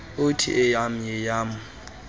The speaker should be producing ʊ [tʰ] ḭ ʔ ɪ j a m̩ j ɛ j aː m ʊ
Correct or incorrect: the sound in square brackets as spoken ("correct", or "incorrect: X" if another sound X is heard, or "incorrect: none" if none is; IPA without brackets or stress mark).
correct